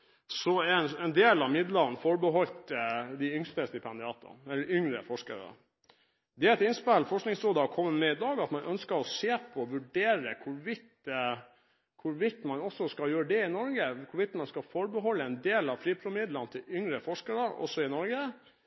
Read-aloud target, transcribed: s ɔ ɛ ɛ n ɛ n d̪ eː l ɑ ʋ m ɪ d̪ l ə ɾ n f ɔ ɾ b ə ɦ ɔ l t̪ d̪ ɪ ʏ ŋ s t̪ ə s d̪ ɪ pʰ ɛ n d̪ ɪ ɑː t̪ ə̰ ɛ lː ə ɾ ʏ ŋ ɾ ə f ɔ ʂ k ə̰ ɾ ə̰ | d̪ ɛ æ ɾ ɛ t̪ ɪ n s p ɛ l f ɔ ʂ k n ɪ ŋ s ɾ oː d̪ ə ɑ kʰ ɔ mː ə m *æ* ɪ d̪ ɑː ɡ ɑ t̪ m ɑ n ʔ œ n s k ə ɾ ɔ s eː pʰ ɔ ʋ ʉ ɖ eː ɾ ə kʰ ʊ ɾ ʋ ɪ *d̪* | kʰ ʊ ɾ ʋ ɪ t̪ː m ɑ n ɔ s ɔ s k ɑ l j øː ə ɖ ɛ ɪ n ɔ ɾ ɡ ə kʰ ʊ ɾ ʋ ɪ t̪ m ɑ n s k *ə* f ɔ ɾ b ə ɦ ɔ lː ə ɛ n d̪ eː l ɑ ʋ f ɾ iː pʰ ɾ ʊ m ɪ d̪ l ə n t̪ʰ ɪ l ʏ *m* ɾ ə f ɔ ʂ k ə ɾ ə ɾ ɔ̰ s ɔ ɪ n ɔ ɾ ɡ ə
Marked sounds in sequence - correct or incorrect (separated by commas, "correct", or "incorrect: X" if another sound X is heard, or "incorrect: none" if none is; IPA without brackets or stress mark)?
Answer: incorrect: ɛ, incorrect: t̪, incorrect: ɑ, incorrect: ŋ